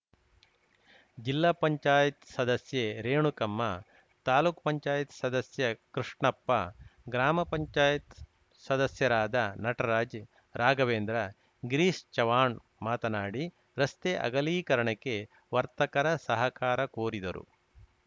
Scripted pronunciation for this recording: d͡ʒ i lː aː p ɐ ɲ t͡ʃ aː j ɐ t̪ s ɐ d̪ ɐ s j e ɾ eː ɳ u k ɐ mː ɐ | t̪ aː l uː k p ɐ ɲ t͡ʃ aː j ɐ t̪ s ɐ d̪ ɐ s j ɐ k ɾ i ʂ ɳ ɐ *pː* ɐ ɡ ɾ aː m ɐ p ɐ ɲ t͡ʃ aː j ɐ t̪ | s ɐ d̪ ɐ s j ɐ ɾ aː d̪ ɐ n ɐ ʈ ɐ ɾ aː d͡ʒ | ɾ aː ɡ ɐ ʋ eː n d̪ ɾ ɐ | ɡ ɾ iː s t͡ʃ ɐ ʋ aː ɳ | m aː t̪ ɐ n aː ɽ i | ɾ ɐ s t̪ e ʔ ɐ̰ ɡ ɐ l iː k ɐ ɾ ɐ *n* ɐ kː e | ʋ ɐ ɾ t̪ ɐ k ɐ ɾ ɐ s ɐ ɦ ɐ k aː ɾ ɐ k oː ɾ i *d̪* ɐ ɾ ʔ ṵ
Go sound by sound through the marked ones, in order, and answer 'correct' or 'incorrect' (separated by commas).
correct, incorrect, correct